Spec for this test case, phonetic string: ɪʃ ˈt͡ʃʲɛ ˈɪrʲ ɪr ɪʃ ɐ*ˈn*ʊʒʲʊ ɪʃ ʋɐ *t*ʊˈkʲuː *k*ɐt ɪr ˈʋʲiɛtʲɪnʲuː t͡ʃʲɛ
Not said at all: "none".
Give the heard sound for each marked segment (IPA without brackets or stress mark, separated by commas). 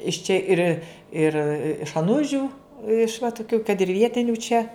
n, t, k